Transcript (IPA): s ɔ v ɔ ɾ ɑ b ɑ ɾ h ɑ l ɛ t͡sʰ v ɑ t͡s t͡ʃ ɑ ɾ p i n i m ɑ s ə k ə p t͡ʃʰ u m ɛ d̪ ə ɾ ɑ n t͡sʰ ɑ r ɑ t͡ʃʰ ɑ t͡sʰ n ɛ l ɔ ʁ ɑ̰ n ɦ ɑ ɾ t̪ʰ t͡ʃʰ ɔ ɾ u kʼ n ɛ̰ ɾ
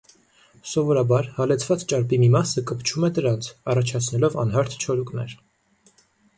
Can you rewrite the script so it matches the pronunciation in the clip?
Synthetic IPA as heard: s ɔ v ɔ ɾ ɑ b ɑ ɾ h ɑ l ɛ t͡sʰ v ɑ t͡s t͡ʃ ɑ ɾ p i m i m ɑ s ə k ə p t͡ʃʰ u m ɛ d̪ ə ɾ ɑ n t͡sʰ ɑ r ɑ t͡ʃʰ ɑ t͡sʰ n ɛ l ɔ v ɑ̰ n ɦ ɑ ɾ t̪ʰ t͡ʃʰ ɔ ɾ u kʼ n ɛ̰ ɾ